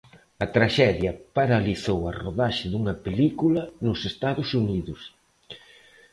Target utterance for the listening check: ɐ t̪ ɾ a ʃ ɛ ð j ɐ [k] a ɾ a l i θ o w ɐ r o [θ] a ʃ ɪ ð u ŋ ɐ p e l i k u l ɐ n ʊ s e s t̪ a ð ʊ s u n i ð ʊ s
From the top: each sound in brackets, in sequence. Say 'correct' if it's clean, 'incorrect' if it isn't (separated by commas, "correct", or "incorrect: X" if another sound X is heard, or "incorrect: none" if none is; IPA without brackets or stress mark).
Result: incorrect: p, incorrect: ð